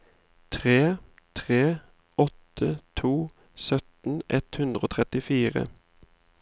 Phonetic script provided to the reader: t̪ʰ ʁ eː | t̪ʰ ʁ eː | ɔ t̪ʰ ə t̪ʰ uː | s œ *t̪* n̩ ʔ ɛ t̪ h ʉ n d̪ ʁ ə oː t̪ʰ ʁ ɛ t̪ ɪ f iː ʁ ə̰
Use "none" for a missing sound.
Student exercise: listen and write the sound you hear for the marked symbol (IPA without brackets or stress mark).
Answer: t̪